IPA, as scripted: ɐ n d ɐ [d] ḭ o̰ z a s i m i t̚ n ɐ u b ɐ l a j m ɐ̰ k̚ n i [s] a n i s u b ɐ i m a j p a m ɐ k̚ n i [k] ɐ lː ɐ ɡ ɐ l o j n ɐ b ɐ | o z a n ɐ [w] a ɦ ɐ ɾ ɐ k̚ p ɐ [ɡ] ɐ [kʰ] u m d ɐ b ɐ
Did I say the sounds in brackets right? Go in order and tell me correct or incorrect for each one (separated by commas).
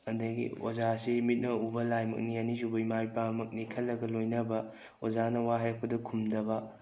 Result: incorrect, incorrect, incorrect, correct, incorrect, correct